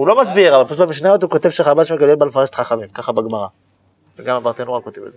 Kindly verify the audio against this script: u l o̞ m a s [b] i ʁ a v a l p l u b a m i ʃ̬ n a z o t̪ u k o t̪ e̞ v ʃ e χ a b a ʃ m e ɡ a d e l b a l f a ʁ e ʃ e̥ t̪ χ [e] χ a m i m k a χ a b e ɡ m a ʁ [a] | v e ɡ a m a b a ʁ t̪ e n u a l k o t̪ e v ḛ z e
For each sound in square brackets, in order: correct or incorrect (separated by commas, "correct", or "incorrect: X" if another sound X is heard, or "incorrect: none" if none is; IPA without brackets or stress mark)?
correct, incorrect: a, correct